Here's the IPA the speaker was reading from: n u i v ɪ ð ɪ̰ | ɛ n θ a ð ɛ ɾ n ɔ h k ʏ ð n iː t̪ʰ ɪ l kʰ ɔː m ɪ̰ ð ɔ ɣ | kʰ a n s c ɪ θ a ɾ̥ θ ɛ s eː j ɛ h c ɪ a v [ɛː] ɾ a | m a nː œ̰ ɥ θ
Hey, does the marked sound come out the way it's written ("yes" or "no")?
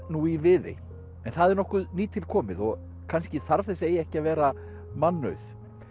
yes